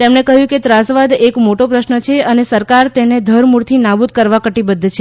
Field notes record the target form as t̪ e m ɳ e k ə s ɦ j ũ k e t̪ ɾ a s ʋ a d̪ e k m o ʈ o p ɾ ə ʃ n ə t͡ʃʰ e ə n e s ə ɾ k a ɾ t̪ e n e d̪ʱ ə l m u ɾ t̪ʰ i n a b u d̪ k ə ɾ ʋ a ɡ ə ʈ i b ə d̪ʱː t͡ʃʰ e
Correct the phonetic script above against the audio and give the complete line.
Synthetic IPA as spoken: t̪ e m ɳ e k ə ɦ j ũ k e t̪ ɾ a s ʋ a d̪ e k m o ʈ o p ɾ ə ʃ n ə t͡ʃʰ e ə n e s ə ɾ k a ɾ t̪ e n e d̪ʱ ə ɾ m u ɾ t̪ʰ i n a b u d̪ k ə ɾ ʋ a k ə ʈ i b ə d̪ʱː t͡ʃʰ e